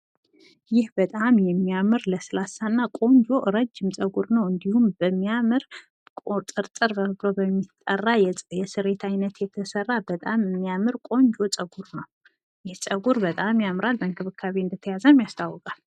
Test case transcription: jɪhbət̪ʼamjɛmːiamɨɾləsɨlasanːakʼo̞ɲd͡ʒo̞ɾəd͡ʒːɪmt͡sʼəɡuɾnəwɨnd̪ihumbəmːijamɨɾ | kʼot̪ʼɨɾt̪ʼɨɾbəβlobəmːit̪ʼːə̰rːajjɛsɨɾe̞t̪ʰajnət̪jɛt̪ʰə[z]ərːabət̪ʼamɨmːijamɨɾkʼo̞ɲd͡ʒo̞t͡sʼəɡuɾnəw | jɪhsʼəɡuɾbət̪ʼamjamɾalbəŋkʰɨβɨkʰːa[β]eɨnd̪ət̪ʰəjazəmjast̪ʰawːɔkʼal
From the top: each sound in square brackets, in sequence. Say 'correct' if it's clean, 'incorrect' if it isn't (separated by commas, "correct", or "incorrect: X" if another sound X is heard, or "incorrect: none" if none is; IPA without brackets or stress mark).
incorrect: s, correct